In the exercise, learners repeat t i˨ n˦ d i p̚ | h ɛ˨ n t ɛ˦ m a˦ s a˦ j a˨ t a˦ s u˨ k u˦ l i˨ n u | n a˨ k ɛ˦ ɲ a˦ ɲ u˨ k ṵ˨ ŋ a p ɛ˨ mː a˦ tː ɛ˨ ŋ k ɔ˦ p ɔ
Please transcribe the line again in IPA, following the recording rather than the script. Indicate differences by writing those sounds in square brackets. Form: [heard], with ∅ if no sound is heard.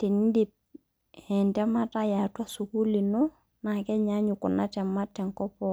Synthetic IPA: t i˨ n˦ d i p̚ | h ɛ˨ n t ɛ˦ m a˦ [t] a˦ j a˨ t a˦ s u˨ k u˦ l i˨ n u | n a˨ k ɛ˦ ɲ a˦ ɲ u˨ k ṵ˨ [n] a [t] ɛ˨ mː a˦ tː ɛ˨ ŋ k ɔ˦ p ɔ